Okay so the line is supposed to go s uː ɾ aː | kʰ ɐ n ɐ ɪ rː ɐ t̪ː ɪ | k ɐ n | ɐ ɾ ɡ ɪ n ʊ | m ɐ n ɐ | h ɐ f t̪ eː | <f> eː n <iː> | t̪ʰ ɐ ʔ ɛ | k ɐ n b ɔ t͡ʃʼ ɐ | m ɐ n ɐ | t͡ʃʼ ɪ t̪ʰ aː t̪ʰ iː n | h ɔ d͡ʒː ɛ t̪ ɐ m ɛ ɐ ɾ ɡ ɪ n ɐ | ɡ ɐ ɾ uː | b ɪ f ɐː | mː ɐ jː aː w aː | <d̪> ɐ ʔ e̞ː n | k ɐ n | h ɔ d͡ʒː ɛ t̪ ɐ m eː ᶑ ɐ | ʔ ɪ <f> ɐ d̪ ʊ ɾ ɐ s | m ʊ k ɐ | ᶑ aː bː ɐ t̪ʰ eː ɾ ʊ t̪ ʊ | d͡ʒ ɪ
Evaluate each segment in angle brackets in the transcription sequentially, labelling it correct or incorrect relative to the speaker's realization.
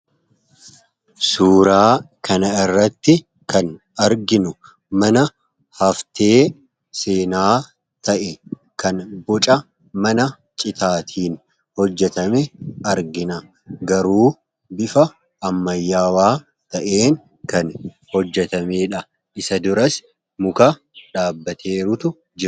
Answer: incorrect: s, incorrect: aː, incorrect: t̪, incorrect: s

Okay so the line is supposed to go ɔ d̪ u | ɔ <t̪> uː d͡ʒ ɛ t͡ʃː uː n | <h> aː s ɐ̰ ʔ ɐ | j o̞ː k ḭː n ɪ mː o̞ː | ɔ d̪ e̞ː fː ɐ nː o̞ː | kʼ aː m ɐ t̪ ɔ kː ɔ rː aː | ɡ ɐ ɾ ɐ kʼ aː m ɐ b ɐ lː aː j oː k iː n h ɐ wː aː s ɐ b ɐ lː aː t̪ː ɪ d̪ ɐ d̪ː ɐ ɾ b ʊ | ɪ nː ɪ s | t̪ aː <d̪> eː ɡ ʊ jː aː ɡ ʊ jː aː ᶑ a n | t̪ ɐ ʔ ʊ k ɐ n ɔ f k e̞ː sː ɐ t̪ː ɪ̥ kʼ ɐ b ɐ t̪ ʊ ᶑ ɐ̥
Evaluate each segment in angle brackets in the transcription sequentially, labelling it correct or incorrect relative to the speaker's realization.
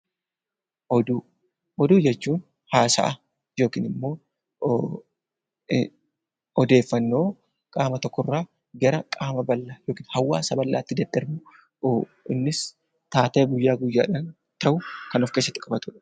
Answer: incorrect: d̪, correct, incorrect: t̪

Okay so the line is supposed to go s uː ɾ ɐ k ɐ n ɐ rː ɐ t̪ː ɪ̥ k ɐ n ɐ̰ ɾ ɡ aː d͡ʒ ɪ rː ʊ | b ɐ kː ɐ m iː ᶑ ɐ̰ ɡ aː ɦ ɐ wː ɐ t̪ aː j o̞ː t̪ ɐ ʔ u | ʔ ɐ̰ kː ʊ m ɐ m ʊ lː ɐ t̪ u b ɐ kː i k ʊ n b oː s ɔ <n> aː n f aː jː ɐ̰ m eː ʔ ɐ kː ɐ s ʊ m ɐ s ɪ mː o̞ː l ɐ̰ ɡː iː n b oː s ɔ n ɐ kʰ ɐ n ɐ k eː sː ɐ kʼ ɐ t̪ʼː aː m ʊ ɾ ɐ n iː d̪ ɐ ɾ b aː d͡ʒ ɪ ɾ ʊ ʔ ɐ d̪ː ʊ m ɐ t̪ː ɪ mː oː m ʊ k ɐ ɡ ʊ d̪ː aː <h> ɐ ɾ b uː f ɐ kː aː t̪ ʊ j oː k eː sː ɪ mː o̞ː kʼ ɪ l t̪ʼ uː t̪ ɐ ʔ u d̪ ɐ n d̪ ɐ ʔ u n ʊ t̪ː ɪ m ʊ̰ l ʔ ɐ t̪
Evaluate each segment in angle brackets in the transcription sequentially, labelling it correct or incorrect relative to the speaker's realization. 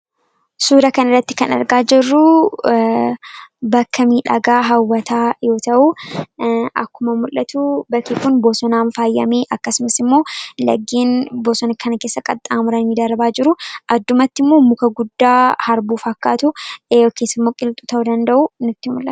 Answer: correct, correct

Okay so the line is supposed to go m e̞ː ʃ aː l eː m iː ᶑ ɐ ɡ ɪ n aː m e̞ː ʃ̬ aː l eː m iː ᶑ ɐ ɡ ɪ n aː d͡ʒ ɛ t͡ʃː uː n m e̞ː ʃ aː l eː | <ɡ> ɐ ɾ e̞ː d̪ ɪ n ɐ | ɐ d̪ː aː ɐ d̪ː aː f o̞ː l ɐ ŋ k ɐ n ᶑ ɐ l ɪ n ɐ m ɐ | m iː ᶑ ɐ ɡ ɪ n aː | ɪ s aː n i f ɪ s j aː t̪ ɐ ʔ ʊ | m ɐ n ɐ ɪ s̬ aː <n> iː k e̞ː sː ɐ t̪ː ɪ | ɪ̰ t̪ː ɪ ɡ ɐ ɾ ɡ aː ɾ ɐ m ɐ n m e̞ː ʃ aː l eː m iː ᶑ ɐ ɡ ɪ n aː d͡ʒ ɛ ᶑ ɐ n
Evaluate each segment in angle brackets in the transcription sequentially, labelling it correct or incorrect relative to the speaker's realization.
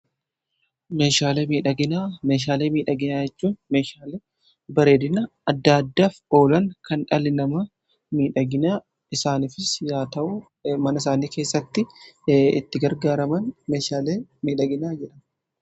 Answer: incorrect: b, correct

